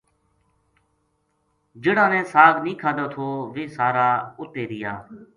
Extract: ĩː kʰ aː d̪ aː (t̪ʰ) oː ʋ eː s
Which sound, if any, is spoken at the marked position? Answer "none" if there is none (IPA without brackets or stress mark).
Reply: t̪ʰ